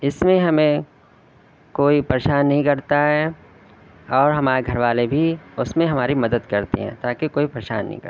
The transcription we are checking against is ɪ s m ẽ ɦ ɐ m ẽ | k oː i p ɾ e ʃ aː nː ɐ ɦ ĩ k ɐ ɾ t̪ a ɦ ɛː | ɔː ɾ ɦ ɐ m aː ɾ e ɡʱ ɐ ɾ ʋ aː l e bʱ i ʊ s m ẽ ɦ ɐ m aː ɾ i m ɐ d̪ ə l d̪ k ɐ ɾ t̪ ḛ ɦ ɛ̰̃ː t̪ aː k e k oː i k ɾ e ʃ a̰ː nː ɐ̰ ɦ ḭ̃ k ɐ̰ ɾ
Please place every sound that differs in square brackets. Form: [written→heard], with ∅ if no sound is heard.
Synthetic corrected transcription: ɪ s m ẽ ɦ ɐ m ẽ | k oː i p ɾ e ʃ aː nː ɐ ɦ ĩ k ɐ ɾ t̪ a ɦ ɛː | ɔː ɾ ɦ ɐ m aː ɾ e ɡʱ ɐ ɾ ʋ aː l e bʱ i ʊ s m ẽ ɦ ɐ m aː ɾ i m ɐ d̪ ə [l→∅] d̪ k ɐ ɾ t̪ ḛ ɦ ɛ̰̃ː t̪ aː k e k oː i [k→p] ɾ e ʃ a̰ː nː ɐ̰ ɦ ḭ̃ k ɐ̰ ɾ